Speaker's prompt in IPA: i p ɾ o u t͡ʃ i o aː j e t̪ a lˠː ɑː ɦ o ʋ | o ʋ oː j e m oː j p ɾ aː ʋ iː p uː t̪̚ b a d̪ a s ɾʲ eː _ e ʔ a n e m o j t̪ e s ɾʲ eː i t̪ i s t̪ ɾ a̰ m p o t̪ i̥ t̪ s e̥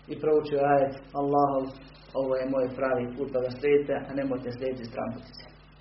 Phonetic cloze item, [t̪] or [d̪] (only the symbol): t̪